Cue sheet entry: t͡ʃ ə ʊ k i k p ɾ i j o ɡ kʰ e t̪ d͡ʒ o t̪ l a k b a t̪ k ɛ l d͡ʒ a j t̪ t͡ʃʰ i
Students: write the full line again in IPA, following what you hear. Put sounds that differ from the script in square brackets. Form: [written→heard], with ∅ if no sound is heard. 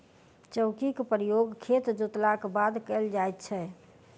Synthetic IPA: t͡ʃ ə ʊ k i k p ɾ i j o ɡ kʰ e t̪ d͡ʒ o t̪ l a k b a [t̪→d̪] k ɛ l d͡ʒ a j t̪ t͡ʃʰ [i→ɛ]

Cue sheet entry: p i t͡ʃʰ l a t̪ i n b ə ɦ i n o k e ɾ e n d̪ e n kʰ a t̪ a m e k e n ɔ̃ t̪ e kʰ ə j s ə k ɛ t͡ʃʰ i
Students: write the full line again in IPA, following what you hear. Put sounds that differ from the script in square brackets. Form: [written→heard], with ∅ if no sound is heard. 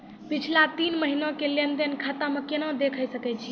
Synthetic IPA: p i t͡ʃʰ l a t̪ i n [b→m] ə ɦ i n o k e [ɾ→l] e n d̪ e n kʰ a t̪ a m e k e n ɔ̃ [t̪→d̪] e kʰ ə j s ə k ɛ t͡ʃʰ i

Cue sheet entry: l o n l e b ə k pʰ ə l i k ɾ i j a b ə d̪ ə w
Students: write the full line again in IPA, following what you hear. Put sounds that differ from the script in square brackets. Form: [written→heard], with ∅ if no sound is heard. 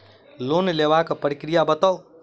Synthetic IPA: l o n l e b [ə→a] k [pʰ→p] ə [l→ɾ] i k ɾ i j a b ə [d̪→t̪] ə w

